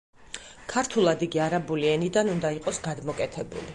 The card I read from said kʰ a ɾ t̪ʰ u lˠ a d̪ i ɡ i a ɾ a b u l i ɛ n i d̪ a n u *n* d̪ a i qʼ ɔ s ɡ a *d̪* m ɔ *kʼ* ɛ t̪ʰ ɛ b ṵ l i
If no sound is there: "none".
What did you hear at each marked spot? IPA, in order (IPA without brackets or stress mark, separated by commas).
n, d̪, kʼ